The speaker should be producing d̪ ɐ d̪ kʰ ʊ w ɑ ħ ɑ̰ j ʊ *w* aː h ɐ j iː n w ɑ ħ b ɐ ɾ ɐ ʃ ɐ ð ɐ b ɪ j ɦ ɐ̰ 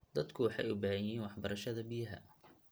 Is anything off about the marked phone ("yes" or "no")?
yes